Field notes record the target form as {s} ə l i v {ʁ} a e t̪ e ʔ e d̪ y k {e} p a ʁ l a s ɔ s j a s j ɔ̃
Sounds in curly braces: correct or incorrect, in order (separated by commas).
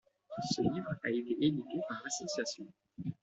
correct, correct, correct